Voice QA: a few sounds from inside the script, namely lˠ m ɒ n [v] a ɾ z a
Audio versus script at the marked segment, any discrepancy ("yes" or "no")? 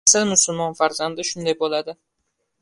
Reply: yes